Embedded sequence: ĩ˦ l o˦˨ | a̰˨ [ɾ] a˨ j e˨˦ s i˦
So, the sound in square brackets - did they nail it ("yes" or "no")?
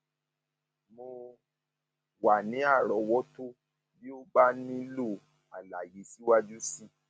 no